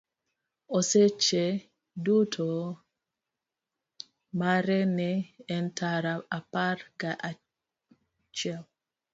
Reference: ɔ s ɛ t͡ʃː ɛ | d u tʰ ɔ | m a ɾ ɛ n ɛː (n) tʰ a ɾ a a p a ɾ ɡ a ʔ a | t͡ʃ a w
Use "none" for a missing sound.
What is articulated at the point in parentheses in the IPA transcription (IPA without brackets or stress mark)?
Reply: n